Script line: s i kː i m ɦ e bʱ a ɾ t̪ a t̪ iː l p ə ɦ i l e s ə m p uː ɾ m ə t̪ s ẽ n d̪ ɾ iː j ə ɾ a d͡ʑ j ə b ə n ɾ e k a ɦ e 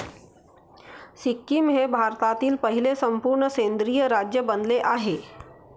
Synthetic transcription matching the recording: s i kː i m ɦ e bʱ a ɾ t̪ a t̪ iː l p ə ɦ i l e s ə m p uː ɾ ɳ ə s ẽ n d̪ ɾ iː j ə ɾ a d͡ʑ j ə b ə n l e ʔ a ɦ e

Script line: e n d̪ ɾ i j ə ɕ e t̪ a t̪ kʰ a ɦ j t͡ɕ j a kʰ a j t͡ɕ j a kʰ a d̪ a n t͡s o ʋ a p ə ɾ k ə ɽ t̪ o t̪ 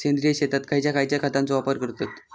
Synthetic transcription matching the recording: e n d̪ ɾ i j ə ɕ e t̪ a t̪ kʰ a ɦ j t͡ɕ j a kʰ a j t͡ɕ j a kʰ a t̪ a n t͡s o ʋ a p ə ɾ k ə ɾ t̪ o t̪

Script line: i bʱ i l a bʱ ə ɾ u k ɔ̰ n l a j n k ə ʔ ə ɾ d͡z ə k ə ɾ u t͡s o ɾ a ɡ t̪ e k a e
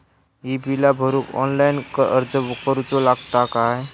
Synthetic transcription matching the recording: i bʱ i l a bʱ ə ɾ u k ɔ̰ n l a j n k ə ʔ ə ɾ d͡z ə k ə ɾ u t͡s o l a ɡ t̪ a k a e

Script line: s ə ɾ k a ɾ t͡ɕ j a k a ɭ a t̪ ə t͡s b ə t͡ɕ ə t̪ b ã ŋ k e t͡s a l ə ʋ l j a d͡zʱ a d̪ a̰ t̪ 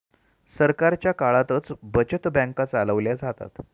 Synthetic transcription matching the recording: s ə ɾ k a ɾ t͡ɕ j a k a ɭ a t̪ ə t͡s b ə t͡ɕ ə t̪ b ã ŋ k a t͡s a l ə ʋ l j a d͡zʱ a t̪ a̰ t̪

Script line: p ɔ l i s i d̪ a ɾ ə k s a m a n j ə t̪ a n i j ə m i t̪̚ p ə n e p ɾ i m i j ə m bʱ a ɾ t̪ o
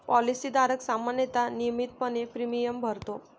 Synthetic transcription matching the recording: p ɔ l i s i d̪ a ɾ ə k s a m a n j ə t̪ a n i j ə m i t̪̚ p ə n e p ɾ i m i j ə m bʱ ə ɾ t̪ o

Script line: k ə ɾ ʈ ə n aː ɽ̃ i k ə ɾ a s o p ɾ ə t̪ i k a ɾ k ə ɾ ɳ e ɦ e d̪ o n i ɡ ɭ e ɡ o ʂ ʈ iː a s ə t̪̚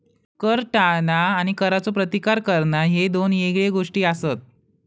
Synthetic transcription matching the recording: k ə ɾ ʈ a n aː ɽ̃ i k ə ɾ a t͡s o p ɾ ə t̪ i k a ɾ k ə ɾ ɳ a ɦ e d̪ o n e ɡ ɭ e ɡ o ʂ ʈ iː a s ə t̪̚

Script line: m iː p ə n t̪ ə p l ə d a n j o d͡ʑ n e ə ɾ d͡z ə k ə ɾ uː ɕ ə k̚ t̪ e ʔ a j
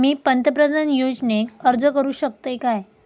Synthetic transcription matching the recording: m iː p ə n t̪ ə p ɾ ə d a n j o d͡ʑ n e ə ɾ d͡z ə k ə ɾ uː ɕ ə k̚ t̪ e k a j

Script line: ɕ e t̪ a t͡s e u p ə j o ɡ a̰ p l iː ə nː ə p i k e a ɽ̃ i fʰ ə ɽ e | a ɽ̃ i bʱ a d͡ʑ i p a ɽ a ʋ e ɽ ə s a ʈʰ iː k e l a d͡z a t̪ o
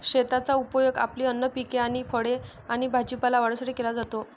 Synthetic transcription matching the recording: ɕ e t̪ a t͡s a u p ə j o ɡ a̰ p l iː ə nː ə p i k e a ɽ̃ i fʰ ə ɽ e | a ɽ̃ i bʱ a d͡ʑ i p a l a ʋ a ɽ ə s a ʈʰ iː k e l a d͡z a t̪ o

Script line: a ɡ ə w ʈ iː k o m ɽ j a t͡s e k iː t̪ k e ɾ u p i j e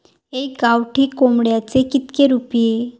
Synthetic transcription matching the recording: e ɡ a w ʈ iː k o m ɽ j a t͡s e k i t̪ k e ɾ u p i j e

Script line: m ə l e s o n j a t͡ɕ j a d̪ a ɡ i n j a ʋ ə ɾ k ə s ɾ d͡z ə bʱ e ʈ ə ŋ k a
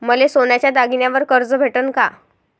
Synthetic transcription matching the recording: m ə l e s o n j a t͡ɕ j a d̪ a ɡ i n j a ʋ ə ɾ k ə ɾ d͡z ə bʱ e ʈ ə n k a

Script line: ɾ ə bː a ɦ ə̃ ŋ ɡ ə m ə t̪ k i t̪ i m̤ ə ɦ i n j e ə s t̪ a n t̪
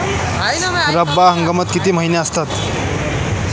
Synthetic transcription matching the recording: ɾ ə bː a ɦ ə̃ ŋ ɡ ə m ə t̪ k i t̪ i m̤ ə ɦ i n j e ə s t̪ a t̪

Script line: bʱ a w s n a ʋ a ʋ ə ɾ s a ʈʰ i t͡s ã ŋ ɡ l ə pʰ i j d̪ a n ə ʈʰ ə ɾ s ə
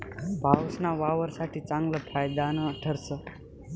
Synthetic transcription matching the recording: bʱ a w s n a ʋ a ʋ ə ɾ s a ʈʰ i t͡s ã ŋ ɡ l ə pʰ a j d̪ a n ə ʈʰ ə ɾ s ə

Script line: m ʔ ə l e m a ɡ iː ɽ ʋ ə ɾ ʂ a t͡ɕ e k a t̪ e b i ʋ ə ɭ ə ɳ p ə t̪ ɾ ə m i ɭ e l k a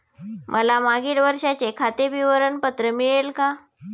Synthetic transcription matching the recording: m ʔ ə l a m a ɡ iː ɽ ʋ ə ɾ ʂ a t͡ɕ e kʰ a t̪ e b i ʋ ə ɾ ə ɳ p ə t̪ ɾ ə m i ɭ e l k a

